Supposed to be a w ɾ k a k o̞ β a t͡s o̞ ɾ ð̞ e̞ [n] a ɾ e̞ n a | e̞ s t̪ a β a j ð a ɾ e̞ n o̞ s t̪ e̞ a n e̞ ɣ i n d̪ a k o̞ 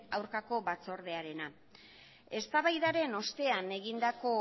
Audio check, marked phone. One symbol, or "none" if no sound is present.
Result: none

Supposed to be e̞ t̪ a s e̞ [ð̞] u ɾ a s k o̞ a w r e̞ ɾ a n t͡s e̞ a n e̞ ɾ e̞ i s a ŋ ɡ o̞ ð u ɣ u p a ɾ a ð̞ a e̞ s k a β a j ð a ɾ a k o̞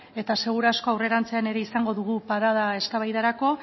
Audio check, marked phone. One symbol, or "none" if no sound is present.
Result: ɣ̞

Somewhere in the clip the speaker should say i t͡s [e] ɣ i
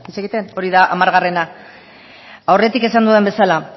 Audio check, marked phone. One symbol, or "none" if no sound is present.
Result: e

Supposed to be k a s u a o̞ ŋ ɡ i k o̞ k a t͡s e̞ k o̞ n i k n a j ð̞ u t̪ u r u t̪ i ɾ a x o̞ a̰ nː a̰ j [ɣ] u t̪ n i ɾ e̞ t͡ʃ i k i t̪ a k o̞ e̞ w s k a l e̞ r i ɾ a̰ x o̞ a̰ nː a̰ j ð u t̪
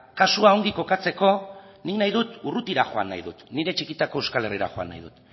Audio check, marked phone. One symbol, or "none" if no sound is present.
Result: ð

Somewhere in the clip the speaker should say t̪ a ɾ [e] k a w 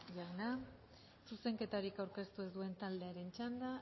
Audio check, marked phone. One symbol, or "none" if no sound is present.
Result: i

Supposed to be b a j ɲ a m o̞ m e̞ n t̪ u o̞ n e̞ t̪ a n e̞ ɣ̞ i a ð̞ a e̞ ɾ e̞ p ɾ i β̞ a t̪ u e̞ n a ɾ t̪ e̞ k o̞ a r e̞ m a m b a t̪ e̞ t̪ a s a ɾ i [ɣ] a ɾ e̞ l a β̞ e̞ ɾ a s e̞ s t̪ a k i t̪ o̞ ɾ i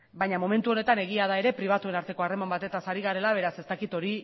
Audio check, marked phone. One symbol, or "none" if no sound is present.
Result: ɣ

